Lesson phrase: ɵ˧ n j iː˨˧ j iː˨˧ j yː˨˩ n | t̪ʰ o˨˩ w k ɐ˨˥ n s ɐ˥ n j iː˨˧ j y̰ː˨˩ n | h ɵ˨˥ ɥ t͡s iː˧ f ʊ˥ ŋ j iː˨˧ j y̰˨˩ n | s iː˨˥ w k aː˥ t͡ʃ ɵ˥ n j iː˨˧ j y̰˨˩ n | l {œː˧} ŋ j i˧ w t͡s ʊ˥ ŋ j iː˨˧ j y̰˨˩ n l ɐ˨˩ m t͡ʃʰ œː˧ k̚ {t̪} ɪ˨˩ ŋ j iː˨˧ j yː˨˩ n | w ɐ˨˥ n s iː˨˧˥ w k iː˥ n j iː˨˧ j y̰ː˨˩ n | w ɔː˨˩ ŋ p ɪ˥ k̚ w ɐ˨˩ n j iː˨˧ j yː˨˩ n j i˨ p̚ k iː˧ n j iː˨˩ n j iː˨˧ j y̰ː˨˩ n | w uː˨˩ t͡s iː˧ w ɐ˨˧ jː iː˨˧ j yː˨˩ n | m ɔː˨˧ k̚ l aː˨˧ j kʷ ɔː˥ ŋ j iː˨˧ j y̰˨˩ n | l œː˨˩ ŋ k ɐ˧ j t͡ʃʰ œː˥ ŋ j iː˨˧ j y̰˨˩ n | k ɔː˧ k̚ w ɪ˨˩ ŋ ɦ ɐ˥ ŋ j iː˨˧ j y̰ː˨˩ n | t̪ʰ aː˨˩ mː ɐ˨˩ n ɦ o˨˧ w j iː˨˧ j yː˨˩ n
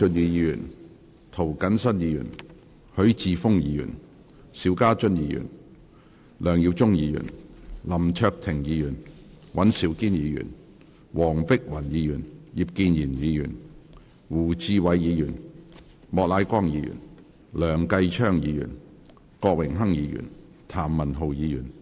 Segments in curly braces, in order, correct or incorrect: incorrect: œː˨˩, incorrect: t̪ʰ

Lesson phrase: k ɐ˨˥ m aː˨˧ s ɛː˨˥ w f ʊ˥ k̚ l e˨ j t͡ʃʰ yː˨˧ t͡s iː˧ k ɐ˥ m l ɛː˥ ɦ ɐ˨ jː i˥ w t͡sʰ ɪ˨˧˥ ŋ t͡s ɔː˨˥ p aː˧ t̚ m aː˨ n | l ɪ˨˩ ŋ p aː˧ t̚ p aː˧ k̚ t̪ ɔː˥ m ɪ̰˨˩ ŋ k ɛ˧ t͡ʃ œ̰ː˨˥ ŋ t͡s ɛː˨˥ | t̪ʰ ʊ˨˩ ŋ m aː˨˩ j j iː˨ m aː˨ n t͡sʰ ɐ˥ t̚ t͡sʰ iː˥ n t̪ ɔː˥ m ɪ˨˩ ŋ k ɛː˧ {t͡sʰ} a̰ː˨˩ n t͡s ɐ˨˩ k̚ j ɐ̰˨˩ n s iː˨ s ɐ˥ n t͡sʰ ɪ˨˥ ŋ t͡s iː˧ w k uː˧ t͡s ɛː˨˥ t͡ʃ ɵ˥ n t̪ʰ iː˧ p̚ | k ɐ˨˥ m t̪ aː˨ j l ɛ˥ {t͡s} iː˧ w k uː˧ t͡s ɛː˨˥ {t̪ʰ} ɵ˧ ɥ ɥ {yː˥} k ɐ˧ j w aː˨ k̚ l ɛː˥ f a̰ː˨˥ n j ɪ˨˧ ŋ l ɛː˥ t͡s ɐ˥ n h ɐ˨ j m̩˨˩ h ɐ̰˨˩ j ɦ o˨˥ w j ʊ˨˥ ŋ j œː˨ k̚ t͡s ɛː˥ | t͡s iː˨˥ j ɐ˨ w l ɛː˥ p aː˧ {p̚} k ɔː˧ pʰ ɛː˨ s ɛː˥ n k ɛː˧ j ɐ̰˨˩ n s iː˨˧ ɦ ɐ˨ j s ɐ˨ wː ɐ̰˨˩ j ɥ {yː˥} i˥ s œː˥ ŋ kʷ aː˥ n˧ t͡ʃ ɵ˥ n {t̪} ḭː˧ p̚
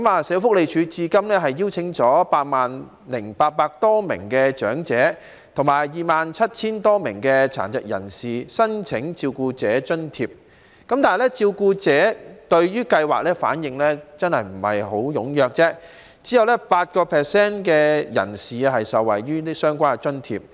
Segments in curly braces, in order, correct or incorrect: correct, correct, incorrect: t̪, correct, incorrect: t̚, correct, incorrect: t̪ʰ

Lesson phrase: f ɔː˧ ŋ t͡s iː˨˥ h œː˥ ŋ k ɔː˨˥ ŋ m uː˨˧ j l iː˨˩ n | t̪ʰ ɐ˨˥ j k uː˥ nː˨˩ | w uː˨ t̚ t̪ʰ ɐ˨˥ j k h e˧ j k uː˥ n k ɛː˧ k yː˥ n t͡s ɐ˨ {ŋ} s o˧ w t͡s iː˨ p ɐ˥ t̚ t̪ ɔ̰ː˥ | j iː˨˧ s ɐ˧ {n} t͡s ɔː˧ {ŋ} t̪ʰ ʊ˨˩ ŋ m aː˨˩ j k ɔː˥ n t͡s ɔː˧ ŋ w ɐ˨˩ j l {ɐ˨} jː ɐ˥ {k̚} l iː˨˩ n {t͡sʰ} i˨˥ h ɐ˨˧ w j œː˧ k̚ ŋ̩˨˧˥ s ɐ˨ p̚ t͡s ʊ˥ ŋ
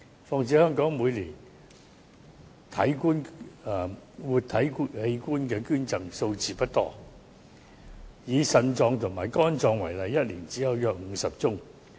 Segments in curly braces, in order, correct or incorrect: correct, correct, correct, correct, incorrect: t̚, incorrect: t͡s

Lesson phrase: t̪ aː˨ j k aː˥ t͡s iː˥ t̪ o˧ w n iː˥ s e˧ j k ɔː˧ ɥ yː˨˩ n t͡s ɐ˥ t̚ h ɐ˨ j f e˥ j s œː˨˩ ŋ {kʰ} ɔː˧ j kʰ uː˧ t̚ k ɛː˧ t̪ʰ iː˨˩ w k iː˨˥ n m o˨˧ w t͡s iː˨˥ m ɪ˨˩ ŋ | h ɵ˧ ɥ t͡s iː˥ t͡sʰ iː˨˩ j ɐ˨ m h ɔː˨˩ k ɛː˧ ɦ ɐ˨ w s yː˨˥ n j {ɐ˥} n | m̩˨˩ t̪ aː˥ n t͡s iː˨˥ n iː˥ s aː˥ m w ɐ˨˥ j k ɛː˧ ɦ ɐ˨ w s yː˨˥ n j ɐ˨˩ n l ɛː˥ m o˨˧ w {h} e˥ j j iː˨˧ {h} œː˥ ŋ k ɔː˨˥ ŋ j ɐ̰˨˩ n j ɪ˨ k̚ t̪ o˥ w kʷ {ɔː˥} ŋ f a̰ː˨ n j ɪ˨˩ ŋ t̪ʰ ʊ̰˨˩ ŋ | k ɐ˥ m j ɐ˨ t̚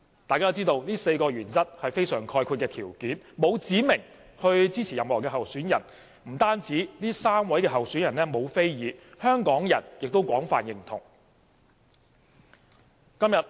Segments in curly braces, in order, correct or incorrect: correct, incorrect: ɐ˨˩, incorrect: f, correct, incorrect: ɔː˨˥

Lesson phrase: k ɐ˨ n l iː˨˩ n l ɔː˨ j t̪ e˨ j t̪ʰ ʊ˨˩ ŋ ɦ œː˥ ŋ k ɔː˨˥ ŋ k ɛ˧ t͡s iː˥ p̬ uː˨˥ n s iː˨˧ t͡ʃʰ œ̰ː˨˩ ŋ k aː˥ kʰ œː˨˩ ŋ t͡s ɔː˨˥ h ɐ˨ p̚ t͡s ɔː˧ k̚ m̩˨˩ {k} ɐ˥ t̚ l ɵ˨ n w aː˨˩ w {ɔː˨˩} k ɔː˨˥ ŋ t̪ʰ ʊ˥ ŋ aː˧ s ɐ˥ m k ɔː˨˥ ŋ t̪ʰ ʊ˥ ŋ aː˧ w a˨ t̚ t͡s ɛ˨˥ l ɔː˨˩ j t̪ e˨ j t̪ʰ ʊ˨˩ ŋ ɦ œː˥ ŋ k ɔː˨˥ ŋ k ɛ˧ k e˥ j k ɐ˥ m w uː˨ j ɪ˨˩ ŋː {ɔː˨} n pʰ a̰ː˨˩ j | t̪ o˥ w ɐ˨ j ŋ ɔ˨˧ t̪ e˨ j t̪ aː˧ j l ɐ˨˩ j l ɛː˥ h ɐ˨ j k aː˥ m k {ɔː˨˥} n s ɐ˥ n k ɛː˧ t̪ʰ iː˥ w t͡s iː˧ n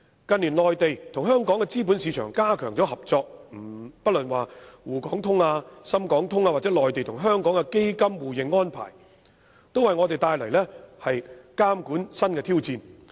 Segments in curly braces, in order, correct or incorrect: incorrect: p, incorrect: uː˨˩, incorrect: ɔː˥, incorrect: uː˨˥

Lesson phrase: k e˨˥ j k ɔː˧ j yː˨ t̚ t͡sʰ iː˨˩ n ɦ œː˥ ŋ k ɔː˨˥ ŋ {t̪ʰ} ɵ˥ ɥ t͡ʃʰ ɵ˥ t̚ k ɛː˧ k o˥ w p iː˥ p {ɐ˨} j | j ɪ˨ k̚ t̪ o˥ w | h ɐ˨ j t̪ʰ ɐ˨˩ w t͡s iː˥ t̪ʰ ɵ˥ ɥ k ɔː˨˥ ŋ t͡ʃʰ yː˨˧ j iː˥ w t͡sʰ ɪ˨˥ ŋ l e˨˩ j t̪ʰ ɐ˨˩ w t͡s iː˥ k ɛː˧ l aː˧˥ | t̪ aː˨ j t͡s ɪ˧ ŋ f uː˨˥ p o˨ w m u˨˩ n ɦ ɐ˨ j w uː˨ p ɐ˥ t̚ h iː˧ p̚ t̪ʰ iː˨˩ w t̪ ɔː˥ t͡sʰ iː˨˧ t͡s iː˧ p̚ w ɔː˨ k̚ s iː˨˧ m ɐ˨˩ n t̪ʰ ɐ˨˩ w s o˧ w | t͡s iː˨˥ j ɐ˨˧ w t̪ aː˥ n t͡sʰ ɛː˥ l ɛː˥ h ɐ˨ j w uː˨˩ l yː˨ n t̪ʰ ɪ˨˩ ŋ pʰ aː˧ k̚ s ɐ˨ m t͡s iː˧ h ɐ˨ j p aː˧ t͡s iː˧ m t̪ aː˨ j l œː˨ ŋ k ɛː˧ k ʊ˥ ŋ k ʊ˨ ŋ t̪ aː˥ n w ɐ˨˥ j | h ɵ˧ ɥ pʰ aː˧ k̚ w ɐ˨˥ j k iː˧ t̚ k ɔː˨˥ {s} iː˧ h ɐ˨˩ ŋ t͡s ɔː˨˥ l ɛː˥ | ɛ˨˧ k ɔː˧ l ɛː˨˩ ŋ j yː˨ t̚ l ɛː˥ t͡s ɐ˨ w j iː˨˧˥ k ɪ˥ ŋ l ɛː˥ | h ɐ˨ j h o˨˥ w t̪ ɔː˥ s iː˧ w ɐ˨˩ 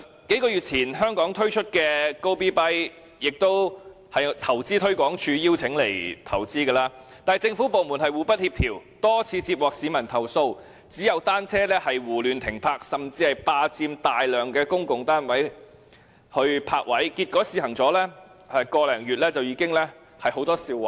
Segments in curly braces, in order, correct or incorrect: correct, incorrect: ɐ˥, correct

